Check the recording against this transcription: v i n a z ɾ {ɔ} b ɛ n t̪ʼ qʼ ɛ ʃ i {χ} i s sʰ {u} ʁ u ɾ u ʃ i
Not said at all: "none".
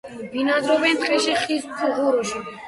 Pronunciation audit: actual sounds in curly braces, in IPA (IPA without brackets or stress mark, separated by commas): ɔ, χ, u